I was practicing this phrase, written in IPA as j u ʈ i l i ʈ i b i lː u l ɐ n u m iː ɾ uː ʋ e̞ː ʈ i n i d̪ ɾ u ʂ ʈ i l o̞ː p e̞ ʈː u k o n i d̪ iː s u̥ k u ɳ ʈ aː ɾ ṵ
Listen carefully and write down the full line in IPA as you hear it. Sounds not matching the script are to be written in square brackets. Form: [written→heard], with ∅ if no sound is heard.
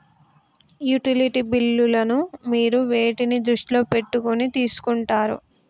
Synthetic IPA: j u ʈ i l i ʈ i b i lː u l ɐ n u m iː ɾ [uː→u] ʋ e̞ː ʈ i n i d̪ ɾ u ʂ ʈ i l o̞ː p e̞ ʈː u k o n i [d̪→t̪] iː s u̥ k u ɳ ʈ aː ɾ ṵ

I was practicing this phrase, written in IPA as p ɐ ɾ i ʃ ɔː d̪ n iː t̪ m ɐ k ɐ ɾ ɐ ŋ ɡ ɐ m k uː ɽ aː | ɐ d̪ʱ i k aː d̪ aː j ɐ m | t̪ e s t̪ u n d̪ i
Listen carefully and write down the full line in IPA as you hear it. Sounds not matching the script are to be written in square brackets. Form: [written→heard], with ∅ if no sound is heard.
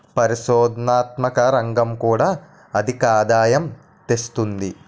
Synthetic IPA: p ɐ ɾ i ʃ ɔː d̪ n [iː→aː] t̪ m ɐ k ɐ ɾ ɐ ŋ ɡ ɐ m k uː ɽ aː | ɐ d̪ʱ i k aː d̪ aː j ɐ m | t̪ e s t̪ u n d̪ i

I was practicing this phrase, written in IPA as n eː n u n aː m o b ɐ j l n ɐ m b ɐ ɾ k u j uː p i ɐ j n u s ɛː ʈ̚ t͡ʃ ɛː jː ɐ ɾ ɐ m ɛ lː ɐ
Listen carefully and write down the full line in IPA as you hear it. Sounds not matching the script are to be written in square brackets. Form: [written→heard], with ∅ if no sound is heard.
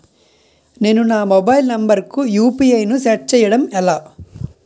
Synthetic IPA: n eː n u n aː m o b ɐ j l n ɐ m b ɐ ɾ k u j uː p i ɐ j n u s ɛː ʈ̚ t͡ʃ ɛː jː ɐ [ɾ→ɽ] ɐ m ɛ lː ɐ

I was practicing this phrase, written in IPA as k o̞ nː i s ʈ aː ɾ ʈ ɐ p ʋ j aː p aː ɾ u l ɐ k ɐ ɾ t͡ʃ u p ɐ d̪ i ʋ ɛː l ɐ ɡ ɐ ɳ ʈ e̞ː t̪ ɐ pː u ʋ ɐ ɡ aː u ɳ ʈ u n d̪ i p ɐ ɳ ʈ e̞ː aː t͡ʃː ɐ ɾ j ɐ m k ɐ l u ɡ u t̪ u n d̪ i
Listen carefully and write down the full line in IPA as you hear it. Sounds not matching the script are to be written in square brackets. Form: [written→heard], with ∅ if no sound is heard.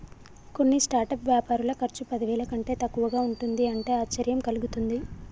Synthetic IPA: k o̞ nː i s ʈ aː ɾ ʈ ɐ p ʋ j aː p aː ɾ u l ɐ k ɐ ɾ t͡ʃ u p ɐ d̪ i ʋ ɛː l ɐ [ɡ→k] ɐ ɳ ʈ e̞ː t̪ ɐ [pː→kː] u ʋ ɐ ɡ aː u ɳ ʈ u n d̪ i [p→∅] ɐ ɳ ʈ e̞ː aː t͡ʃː ɐ ɾ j ɐ m k ɐ l u ɡ u t̪ u n d̪ i

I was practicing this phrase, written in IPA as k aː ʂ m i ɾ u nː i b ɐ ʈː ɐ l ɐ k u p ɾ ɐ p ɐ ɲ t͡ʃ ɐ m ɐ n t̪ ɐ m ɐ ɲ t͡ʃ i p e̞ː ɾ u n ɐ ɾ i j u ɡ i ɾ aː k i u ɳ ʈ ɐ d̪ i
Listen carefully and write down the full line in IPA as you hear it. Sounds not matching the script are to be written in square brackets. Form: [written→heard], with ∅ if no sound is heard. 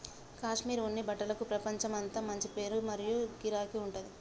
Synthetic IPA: k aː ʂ m [i→iː] ɾ u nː i b ɐ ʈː ɐ l ɐ k u p ɾ ɐ p ɐ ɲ t͡ʃ ɐ m ɐ n t̪ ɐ m ɐ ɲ t͡ʃ i p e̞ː ɾ u [n→m] ɐ ɾ i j u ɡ i ɾ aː k i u ɳ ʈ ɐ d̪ i

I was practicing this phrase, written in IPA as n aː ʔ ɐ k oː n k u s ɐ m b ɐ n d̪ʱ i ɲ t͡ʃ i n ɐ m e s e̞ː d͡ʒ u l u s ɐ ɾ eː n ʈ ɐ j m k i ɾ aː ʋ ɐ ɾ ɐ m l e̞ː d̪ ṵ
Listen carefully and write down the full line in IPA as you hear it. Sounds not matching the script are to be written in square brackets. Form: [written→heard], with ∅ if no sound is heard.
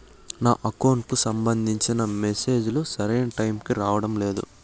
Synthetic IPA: n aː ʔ ɐ k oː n k u s ɐ m b ɐ n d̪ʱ i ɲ t͡ʃ i n ɐ m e s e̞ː d͡ʒ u l u s ɐ ɾ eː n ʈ ɐ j m k i ɾ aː ʋ ɐ [ɾ→ɽ] ɐ m l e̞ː d̪ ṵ

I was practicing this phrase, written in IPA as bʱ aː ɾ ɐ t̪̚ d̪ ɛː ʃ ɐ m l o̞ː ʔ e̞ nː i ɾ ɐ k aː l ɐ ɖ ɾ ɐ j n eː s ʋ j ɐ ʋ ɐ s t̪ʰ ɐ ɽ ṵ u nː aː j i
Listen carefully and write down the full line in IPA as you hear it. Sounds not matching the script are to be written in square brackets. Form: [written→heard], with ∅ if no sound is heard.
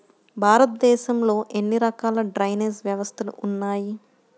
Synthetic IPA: bʱ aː ɾ ɐ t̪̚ d̪ ɛː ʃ ɐ m l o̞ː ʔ e̞ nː i ɾ ɐ k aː l ɐ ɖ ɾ ɐ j n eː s ʋ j ɐ ʋ ɐ s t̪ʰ ɐ [ɽ→l] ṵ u nː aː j i

